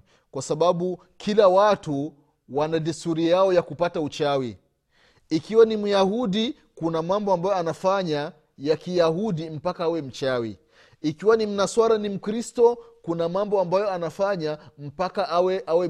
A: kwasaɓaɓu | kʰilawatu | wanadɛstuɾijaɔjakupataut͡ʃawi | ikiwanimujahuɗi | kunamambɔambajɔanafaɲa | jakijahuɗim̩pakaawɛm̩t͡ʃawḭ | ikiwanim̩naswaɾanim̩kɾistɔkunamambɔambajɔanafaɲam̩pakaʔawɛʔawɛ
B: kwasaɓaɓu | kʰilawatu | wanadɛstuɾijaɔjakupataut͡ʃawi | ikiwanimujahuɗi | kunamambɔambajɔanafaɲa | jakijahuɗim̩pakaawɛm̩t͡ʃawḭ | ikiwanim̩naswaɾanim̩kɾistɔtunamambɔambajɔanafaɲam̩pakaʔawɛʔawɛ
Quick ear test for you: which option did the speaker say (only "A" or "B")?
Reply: A